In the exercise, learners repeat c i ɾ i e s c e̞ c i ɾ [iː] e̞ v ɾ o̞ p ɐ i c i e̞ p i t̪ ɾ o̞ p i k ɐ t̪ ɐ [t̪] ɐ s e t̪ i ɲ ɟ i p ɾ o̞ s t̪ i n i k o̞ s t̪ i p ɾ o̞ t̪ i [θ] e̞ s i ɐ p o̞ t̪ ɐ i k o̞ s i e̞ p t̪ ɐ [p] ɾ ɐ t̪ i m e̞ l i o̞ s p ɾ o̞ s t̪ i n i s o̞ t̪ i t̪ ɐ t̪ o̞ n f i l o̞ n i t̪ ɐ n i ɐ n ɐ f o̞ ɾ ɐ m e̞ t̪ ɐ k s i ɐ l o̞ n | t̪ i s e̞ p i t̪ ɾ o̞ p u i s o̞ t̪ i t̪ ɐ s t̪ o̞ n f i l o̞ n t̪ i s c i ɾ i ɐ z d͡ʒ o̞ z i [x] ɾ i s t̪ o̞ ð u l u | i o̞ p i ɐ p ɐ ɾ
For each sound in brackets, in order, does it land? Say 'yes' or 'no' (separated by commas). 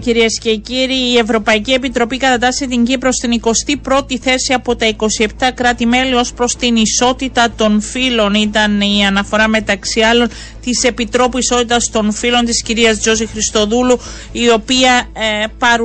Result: yes, yes, yes, no, yes